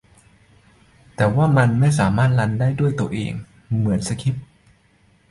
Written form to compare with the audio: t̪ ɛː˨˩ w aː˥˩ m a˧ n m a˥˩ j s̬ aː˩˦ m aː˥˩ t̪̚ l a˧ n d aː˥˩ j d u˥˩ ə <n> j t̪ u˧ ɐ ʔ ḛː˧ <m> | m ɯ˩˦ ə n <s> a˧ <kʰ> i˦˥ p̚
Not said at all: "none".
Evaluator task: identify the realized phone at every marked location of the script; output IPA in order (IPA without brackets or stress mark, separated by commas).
none, ŋ, s, kʰ